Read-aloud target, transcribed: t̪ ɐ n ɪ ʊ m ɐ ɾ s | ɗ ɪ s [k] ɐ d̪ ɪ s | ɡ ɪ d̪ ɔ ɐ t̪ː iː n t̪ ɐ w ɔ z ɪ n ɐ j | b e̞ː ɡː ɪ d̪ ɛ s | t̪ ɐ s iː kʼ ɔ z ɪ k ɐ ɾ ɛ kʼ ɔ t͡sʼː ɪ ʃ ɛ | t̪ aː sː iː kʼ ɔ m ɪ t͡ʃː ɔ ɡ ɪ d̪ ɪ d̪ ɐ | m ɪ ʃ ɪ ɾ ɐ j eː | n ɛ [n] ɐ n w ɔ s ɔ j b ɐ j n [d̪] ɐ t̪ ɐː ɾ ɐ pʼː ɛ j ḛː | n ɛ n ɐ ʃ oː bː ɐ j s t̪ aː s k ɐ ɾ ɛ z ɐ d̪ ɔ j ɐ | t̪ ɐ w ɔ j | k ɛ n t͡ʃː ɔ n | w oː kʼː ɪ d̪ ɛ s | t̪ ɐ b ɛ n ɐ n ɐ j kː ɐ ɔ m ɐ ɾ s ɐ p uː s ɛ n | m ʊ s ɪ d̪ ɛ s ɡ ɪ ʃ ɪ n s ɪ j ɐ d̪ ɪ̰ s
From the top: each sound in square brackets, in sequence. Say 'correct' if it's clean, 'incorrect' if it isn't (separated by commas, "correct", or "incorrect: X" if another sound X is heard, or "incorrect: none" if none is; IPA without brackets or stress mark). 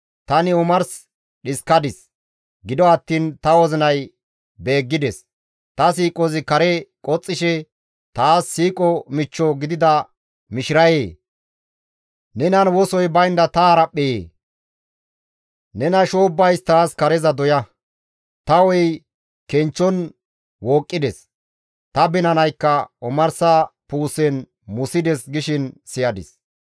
correct, correct, correct